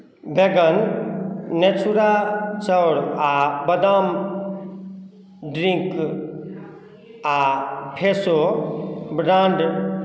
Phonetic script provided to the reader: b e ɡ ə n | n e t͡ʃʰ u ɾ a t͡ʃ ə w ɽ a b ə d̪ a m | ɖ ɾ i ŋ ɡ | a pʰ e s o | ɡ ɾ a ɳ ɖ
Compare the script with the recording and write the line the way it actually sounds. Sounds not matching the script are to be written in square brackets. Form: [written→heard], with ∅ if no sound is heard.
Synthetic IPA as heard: b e ɡ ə n | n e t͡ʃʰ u ɾ a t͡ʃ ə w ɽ a b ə d̪ a m | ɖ ɾ i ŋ [ɡ→k] | a pʰ e s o | [ɡ→b] ɾ a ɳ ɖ